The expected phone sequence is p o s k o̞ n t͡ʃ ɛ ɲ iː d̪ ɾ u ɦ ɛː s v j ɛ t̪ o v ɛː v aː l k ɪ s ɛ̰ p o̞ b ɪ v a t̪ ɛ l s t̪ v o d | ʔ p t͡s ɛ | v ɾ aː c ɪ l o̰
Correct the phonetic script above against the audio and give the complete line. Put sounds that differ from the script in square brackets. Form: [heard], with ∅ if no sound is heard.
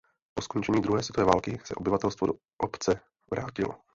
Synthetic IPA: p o s k o̞ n t͡ʃ ɛ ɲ iː d̪ ɾ u ɦ ɛː s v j ɛ t̪ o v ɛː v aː l k ɪ s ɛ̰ [ʔ] o̞ b ɪ v a t̪ ɛ l s t̪ v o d | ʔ p t͡s ɛ | v ɾ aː c ɪ l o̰